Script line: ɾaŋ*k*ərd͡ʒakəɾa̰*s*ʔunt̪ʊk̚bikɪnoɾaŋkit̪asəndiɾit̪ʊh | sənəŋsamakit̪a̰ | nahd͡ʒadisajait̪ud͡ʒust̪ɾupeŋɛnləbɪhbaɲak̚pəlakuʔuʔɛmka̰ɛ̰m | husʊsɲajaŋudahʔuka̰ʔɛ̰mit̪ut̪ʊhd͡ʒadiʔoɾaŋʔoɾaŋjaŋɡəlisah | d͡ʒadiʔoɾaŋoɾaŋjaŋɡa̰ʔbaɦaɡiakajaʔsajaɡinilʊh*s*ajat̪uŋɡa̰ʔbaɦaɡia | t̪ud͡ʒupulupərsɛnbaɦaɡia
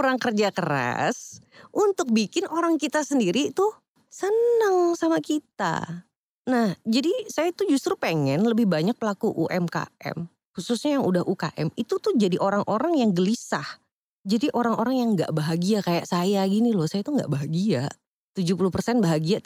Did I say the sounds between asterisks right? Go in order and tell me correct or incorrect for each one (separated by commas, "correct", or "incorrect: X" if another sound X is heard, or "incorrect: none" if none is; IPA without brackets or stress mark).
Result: correct, correct, correct